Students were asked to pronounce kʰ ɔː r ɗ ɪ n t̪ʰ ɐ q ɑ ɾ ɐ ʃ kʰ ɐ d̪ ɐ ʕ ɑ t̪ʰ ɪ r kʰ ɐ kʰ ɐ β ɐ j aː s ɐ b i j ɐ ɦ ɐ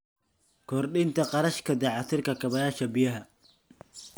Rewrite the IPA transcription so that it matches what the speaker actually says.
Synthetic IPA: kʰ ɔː r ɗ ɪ n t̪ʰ ɐ q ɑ ɾ ɐ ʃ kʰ ɐ d̪ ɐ ʕ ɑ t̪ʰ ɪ r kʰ ɐ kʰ ɐ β ɐ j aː ʃ ɐ b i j ɐ ɦ ɐ